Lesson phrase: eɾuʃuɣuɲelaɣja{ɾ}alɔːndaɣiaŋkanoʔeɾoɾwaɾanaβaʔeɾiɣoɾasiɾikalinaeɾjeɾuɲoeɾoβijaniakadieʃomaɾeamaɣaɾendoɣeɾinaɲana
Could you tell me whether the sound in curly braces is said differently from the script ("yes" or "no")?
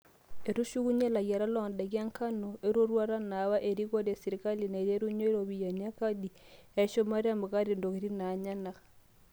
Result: no